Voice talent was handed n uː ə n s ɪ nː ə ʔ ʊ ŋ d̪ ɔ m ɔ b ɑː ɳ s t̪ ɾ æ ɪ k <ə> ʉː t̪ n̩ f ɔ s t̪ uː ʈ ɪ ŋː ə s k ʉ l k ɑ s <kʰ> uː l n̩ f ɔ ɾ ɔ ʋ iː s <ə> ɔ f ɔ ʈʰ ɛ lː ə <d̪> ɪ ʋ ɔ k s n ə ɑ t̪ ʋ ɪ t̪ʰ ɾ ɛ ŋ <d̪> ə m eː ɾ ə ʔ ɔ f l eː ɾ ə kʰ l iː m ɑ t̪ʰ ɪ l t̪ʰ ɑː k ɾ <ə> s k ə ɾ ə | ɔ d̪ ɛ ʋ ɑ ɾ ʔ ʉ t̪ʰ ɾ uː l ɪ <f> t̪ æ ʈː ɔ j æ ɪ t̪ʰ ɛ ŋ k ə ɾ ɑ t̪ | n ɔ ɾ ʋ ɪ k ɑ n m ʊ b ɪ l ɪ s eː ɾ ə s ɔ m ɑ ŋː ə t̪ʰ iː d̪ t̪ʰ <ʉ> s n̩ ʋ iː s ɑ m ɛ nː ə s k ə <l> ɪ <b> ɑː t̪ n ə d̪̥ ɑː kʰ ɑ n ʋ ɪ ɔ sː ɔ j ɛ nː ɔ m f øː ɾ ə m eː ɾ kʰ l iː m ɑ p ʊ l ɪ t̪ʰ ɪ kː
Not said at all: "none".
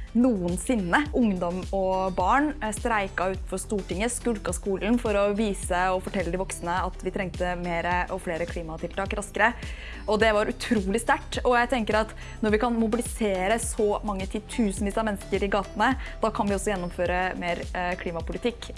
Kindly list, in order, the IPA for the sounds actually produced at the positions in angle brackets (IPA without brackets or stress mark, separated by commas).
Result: ɑ, k, ə, d̪, t̪, ɑ, s, ʉː, ɾ, ɡ